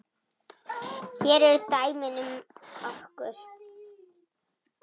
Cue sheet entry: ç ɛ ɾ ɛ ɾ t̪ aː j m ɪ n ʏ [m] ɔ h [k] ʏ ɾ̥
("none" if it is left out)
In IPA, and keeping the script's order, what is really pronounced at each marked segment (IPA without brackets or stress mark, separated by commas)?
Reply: m, k